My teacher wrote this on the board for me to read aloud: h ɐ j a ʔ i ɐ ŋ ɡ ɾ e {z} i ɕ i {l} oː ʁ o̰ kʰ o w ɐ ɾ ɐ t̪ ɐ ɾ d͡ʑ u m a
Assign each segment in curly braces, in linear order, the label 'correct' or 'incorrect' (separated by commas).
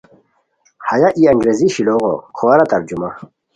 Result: correct, correct